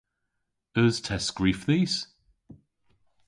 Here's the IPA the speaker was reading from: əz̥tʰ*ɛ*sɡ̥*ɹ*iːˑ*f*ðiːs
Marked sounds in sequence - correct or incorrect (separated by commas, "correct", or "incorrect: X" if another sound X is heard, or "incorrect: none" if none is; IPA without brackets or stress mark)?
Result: correct, correct, correct